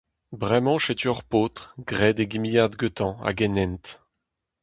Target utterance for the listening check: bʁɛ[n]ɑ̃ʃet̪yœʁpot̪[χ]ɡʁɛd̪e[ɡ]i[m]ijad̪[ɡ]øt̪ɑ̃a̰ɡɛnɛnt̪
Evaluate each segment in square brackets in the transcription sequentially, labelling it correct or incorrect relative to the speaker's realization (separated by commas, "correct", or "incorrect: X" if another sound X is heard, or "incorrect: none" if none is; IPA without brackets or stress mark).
incorrect: m, correct, correct, correct, correct